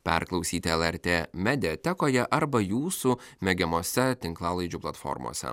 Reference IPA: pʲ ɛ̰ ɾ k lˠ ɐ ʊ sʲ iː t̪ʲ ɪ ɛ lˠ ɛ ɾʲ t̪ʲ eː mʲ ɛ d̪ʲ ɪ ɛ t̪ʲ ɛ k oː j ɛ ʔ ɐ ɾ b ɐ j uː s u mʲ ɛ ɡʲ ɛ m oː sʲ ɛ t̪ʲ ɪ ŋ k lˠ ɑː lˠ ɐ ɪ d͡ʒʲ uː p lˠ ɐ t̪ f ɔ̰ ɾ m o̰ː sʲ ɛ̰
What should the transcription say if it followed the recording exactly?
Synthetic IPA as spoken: pʲ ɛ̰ ɾ k lˠ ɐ ʊ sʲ iː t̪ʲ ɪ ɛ lˠ ɛ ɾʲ t̪ʲ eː mʲ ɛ d̪ʲ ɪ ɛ t̪ʲ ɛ k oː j ɛ ʔ ɐ ɾ b ɐ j uː s u mʲ ɛ ɡʲ ɛ m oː sʲ ɛ t̪ʲ ɪ ŋ k lˠ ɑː lˠ ɐ ɪ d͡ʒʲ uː p lˠ ɐ t̪ f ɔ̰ ɾ m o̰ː sʲ ɛ̰